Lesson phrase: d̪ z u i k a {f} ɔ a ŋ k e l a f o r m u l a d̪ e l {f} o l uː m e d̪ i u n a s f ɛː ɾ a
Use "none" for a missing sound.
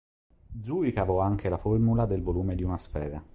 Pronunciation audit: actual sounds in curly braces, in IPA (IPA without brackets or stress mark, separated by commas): v, v